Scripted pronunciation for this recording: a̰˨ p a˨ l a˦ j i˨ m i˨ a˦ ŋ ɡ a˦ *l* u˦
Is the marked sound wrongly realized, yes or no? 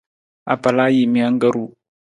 yes